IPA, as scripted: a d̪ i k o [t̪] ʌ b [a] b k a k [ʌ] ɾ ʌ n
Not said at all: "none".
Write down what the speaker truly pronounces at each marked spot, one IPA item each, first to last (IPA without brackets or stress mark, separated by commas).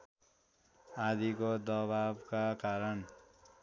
d̪, a, a